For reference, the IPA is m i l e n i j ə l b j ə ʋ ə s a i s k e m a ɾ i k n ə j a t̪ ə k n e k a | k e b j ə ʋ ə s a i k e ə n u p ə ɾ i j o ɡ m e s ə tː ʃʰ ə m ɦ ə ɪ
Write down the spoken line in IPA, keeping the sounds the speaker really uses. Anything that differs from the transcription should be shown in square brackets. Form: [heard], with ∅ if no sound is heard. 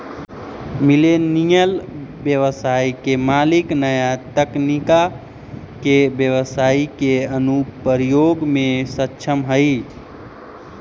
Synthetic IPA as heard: m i l e n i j ə l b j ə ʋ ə s a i [∅] k e m a [l] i k n ə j a t̪ ə k n [i] k a | k e b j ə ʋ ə s a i k e ə n u p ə ɾ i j o ɡ m e s ə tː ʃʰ ə m ɦ ə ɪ